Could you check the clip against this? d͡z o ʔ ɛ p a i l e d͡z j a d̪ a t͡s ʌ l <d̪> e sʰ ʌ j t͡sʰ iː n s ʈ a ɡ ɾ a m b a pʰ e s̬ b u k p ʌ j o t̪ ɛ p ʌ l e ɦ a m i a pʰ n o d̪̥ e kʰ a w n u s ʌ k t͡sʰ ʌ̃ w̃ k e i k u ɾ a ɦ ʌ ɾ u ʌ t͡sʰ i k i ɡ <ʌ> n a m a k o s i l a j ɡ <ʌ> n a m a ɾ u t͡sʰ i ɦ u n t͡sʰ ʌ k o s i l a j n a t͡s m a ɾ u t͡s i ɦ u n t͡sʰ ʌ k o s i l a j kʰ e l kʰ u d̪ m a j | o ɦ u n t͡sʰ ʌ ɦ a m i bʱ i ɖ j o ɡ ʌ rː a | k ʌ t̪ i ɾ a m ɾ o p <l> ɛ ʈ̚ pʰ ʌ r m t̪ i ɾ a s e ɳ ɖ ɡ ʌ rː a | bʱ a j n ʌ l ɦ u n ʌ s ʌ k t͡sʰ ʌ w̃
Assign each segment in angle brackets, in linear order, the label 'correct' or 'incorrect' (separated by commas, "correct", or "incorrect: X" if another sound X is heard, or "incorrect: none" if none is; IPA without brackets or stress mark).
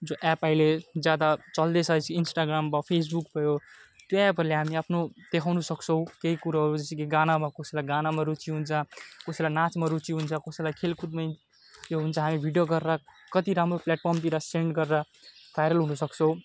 correct, incorrect: a, incorrect: a, correct